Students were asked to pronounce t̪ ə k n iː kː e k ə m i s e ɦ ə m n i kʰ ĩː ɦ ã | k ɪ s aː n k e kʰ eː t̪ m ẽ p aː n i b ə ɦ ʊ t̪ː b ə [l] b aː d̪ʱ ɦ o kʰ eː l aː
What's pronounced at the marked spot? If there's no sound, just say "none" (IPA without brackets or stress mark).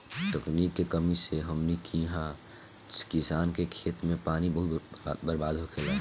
ɾ